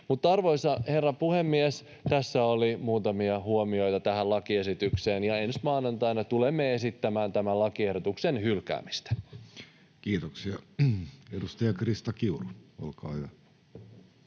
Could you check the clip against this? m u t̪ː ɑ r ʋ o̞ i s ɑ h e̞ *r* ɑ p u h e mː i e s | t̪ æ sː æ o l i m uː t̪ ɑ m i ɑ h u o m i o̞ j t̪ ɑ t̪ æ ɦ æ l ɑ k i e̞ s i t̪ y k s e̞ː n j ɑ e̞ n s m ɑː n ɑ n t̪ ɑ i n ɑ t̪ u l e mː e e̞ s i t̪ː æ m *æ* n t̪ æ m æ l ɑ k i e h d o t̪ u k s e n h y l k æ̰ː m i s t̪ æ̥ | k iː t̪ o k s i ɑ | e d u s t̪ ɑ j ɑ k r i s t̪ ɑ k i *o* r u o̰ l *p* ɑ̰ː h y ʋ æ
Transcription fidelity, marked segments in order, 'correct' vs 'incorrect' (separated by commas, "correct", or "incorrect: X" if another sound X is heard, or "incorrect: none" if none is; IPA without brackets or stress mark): incorrect: rː, incorrect: æː, incorrect: u, incorrect: k